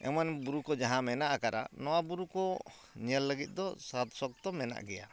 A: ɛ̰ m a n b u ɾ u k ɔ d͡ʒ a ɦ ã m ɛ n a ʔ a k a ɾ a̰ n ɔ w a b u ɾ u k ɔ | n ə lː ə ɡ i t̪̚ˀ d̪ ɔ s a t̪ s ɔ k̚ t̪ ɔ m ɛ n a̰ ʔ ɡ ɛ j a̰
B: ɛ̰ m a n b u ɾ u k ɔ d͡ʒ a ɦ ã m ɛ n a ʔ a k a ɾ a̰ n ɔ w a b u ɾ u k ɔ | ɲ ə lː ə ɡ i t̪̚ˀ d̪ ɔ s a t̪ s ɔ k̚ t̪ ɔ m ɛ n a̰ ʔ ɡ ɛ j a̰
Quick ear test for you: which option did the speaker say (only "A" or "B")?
B